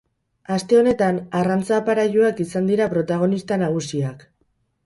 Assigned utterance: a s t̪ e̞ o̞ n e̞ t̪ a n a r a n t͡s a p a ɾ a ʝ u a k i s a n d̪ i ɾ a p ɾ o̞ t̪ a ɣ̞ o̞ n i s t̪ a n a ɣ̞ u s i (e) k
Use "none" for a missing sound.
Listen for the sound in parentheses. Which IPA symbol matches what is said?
a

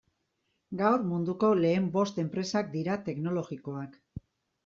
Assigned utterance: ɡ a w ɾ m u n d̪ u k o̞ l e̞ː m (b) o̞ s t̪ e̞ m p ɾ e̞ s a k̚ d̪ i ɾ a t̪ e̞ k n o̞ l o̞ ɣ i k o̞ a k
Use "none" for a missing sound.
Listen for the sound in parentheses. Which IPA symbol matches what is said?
b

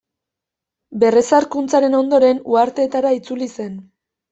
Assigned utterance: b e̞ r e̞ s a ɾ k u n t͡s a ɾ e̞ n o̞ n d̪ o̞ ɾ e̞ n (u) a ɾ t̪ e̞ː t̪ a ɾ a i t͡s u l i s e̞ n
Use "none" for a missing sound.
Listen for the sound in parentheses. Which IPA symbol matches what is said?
u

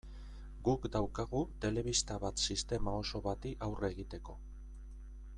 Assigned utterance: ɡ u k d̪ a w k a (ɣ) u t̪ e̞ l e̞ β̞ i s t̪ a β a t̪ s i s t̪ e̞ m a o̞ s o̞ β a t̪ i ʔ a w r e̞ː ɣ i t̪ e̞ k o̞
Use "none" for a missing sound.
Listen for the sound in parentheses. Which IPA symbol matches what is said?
ɣ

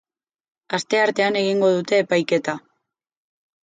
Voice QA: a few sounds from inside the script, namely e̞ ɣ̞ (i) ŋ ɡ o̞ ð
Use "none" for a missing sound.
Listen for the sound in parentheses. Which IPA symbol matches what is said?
i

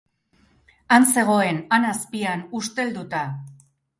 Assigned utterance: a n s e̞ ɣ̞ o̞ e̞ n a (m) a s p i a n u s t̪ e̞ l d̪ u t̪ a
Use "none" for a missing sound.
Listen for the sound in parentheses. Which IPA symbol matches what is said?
n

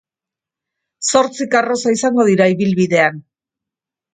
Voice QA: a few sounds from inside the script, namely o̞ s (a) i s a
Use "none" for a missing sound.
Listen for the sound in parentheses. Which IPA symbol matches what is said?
a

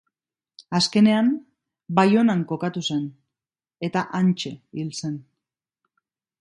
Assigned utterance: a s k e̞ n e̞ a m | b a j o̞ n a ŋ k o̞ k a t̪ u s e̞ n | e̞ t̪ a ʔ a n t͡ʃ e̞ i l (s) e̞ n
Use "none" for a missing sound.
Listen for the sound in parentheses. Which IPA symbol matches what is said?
s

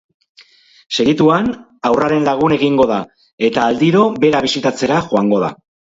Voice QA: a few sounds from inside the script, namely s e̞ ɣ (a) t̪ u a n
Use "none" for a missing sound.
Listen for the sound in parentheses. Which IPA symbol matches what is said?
i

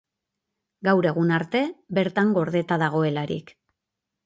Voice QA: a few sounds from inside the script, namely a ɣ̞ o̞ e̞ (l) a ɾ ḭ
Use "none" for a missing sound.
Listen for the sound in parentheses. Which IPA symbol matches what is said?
l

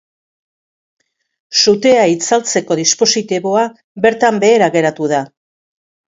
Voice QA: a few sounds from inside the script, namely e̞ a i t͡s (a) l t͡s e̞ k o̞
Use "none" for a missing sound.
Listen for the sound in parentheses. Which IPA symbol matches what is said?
a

